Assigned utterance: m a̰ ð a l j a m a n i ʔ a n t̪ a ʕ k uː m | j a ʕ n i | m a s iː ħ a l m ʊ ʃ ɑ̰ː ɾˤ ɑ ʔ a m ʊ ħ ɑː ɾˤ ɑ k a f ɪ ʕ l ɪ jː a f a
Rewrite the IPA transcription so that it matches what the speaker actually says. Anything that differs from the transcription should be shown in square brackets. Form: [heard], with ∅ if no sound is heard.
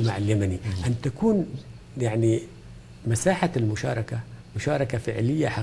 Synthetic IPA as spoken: m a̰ [ʕ] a l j a m a n i ʔ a n t̪ a [∅] k uː [n] | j a ʕ n i | m a s [aː] ħ a l m ʊ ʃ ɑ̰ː ɾˤ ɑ [k] a m ʊ [ʃ] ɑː ɾˤ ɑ k a f ɪ ʕ l ɪ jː a [ħ] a